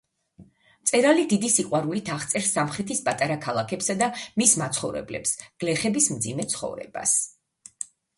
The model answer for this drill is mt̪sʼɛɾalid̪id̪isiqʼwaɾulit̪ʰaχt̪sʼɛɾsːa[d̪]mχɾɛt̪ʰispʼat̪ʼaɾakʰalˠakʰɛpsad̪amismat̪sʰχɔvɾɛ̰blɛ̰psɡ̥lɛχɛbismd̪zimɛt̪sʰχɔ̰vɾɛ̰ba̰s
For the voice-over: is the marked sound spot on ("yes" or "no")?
no